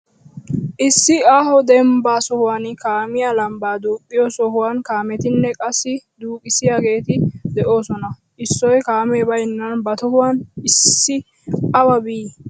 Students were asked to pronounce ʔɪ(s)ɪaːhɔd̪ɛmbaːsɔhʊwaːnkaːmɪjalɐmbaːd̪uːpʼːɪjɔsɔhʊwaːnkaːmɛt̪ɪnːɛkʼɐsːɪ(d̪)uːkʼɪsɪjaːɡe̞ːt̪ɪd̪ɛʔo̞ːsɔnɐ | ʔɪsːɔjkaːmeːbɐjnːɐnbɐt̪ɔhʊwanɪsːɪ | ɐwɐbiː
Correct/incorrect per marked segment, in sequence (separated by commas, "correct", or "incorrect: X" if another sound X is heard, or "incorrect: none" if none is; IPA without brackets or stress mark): incorrect: sː, correct